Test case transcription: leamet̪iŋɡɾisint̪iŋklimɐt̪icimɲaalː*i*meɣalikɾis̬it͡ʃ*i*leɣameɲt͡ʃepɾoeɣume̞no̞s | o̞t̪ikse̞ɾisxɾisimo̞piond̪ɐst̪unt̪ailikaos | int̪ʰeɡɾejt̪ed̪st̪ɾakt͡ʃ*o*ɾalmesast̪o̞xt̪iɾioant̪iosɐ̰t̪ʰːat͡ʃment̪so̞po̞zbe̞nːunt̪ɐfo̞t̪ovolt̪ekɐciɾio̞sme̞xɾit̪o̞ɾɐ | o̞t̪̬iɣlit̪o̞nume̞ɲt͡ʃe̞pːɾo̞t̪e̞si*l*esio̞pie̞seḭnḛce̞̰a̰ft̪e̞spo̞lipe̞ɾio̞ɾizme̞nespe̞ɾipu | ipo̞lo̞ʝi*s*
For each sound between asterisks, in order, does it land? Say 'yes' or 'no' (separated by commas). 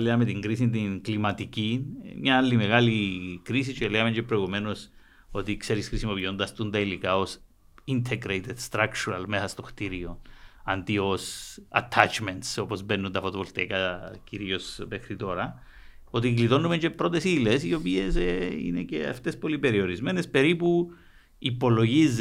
yes, no, no, yes, no